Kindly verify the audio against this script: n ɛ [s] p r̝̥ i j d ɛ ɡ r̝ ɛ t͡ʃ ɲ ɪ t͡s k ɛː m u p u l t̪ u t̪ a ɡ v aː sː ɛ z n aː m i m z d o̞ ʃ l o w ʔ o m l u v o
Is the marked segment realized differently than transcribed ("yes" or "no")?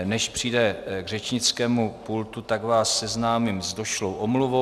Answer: yes